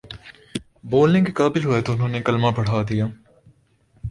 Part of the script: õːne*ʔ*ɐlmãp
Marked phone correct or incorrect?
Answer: incorrect